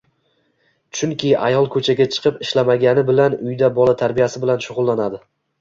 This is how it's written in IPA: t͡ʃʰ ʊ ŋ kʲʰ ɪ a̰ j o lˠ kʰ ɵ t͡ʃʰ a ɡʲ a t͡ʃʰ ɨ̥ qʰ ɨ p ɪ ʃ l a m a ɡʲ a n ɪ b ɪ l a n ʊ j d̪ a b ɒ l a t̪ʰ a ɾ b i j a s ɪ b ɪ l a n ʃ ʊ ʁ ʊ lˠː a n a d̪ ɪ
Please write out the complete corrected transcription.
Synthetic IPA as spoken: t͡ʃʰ ʊ ŋ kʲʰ ɪ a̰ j ɒ lˠ kʰ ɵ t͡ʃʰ a ɡʲ a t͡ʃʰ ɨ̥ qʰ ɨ p ɪ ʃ l a m a ɡʲ a n ɪ b ɪ l a n ʊ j d̪ a b ɒ l a t̪ʰ a ɾ b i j a s ɪ b ɪ l a n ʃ ʊ ʁ ʊ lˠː a n a d̪ ɪ